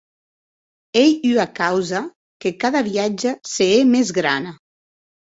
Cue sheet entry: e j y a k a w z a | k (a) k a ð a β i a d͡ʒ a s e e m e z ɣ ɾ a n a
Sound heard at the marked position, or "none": e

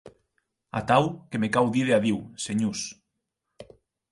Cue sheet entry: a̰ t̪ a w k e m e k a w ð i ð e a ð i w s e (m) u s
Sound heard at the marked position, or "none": ɲ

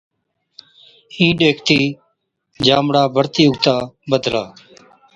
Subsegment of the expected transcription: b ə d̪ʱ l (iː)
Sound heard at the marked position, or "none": aː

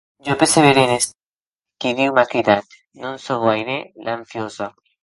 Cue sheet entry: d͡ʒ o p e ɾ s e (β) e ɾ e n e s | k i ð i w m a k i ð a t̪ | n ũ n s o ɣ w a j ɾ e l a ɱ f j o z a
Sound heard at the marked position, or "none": β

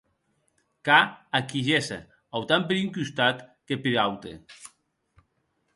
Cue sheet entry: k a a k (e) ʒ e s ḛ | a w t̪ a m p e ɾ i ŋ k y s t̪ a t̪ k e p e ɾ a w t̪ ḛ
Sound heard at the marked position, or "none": i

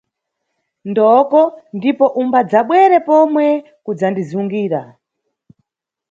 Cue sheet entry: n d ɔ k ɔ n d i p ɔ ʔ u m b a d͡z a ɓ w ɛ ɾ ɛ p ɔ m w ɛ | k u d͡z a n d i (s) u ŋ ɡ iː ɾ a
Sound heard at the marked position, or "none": z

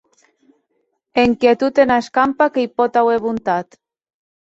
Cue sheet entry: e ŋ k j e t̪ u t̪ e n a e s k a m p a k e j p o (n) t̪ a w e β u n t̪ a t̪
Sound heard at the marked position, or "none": none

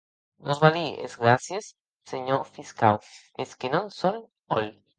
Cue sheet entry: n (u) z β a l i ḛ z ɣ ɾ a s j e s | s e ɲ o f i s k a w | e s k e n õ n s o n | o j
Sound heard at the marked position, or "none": o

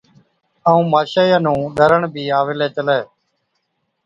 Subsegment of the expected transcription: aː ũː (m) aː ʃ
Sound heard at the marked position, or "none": m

